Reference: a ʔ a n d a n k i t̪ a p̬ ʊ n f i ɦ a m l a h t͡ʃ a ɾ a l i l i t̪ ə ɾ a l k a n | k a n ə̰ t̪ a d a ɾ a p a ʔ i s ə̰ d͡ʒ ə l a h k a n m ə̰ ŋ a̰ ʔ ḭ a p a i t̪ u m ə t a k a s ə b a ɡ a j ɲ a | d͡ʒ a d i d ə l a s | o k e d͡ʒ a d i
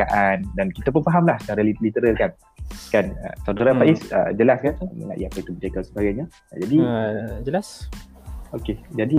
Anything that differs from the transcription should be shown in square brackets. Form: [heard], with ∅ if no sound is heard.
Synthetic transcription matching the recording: a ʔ a n d a n k i t̪ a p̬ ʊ n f [a] ɦ a m l a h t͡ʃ a ɾ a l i l i t̪ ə ɾ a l k a n | k a n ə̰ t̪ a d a ɾ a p a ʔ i s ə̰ d͡ʒ ə l a [s] k a n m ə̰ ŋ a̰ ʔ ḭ a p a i t̪ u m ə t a k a s ə b a ɡ a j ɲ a | d͡ʒ a d i [d͡ʒ] ə l a s | o k e d͡ʒ a d i